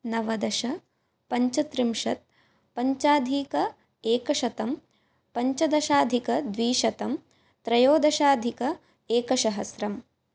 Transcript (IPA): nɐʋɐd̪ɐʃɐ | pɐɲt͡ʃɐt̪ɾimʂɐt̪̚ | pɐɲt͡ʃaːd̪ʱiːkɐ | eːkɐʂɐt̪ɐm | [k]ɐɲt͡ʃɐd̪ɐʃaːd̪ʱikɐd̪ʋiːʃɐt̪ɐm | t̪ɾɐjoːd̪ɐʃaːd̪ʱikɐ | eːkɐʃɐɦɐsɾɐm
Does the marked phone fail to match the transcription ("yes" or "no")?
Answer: yes